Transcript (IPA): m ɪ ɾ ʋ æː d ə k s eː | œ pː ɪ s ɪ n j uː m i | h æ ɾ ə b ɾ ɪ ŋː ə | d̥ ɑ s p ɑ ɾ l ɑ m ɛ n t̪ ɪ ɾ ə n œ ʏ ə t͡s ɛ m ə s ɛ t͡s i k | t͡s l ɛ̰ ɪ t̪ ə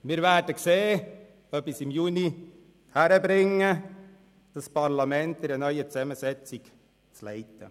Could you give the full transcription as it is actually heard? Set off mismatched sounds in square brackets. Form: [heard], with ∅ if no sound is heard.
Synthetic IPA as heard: m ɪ ɾ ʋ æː d ə k s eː | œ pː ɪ s ɪ [m] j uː [n] i | h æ ɾ ə b ɾ ɪ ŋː ə | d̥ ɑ s p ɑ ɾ l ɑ m ɛ n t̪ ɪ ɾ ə n œ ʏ ə t͡s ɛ m ə s ɛ t͡s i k | t͡s l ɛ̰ ɪ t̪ ə